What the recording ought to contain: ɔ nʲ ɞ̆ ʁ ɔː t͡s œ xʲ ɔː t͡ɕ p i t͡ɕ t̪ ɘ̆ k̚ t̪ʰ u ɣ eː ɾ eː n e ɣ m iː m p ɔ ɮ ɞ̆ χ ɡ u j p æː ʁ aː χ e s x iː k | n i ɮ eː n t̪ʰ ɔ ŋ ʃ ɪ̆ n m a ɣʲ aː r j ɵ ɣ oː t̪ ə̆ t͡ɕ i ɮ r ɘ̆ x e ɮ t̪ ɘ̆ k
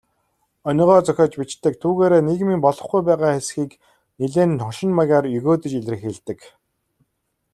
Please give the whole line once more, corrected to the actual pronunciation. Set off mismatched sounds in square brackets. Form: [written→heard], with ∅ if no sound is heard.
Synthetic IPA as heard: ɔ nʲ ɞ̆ ʁ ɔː t͡s œ xʲ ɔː t͡ɕ p i t͡ɕ t̪ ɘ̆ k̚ t̪ʰ [u→uː] ɣ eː ɾ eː n e ɣ m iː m p ɔ ɮ ɞ̆ χ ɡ u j p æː ʁ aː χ e s x iː k | n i ɮ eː n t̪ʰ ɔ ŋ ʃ ɪ̆ n m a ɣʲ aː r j ɵ ɣ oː t̪ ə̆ t͡ɕ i ɮ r ɘ̆ x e ɮ t̪ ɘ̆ k